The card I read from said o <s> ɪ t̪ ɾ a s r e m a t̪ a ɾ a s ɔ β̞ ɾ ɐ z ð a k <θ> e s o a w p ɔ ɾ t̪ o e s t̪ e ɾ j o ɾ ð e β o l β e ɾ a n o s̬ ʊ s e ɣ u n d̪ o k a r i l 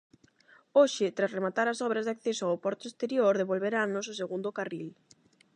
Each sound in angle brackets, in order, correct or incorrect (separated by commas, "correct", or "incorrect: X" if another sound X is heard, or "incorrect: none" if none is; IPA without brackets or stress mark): incorrect: ʃ, correct